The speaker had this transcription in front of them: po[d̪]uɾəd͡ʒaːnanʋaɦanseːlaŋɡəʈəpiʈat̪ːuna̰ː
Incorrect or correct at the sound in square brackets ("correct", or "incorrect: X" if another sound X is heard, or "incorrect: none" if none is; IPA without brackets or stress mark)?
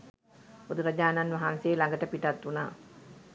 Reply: correct